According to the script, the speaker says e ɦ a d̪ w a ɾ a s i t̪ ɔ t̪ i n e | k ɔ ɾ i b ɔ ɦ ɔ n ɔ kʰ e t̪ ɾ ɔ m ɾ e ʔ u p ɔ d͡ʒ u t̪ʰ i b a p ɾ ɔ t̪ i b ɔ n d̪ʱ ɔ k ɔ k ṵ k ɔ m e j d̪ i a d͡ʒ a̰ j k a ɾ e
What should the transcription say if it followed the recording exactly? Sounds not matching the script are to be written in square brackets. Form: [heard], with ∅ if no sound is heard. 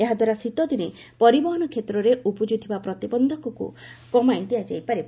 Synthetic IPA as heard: e ɦ a d̪ w a ɾ a s i t̪ ɔ [d̪] i n e | [p] ɔ ɾ i b ɔ ɦ ɔ n ɔ kʰ e t̪ ɾ ɔ [∅] ɾ e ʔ u p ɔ d͡ʒ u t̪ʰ i b a p ɾ ɔ t̪ i b ɔ n d̪ʱ ɔ k ɔ k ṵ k ɔ m [a] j d̪ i a d͡ʒ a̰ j [p] a ɾ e